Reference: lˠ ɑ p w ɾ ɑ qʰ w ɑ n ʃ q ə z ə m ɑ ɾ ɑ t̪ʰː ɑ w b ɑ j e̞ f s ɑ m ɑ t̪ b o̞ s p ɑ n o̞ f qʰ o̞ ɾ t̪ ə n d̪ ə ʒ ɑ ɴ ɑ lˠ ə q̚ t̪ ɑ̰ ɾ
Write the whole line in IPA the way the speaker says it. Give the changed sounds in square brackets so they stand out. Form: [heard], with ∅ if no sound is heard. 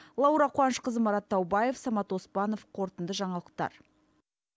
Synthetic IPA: lˠ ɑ [∅] w ɾ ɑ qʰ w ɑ n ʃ q ə z ə m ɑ ɾ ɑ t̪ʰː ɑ w b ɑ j e̞ f s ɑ m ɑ t̪ [w] o̞ s p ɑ n o̞ f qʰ o̞ ɾ t̪ ə n d̪ ə ʒ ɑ ɴ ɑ lˠ ə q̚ t̪ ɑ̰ ɾ